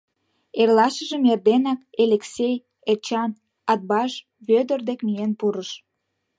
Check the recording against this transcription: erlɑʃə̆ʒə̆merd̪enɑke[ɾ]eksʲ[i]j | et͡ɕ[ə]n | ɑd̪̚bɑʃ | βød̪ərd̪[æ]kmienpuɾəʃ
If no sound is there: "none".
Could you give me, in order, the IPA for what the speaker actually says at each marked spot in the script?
l, e, ɑ, e

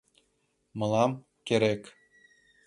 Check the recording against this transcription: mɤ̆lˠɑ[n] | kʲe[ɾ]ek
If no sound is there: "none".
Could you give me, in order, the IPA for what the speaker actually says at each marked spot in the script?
m, ɾ

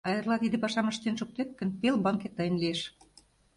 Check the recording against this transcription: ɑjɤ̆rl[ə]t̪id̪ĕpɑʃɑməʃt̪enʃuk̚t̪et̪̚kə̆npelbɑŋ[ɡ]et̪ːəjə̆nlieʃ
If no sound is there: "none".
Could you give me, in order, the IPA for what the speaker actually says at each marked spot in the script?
ɑ, k

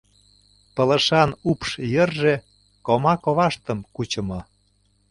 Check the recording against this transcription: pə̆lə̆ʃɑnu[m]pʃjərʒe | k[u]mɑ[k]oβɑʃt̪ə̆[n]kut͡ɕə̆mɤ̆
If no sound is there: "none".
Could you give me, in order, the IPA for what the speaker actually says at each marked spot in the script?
none, o, k, m

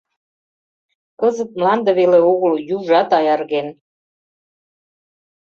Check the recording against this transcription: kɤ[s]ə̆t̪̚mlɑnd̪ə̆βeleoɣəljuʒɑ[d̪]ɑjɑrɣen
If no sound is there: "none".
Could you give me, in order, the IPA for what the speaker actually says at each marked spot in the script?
z, t̪

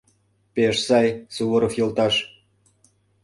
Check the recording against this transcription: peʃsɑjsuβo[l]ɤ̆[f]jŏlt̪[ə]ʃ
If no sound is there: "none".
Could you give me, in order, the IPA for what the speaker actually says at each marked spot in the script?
ɾ, f, ɑ

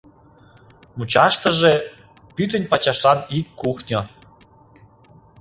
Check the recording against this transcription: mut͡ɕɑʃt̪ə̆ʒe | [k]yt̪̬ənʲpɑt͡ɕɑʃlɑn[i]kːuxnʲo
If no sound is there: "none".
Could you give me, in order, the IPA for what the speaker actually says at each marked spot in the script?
p, i

